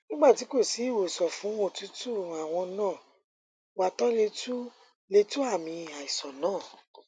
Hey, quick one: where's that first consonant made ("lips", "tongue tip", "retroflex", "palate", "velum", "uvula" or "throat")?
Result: tongue tip